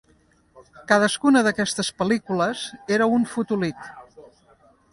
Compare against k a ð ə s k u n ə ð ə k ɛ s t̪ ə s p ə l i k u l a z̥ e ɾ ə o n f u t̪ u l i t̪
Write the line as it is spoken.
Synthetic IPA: k a ð ə s k u n ə ð ə k ɛ s t̪ ə s p ə l i k u l ə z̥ e ɾ ə u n f u t̪ u l i t̪